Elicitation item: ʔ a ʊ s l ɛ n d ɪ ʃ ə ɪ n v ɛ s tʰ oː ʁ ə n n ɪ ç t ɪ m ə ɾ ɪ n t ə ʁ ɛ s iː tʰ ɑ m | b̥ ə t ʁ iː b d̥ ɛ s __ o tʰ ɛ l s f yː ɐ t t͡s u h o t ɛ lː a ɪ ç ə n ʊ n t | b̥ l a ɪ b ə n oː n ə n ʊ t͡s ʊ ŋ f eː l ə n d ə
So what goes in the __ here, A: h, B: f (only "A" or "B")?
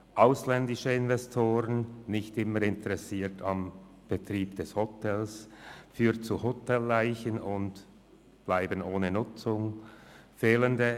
A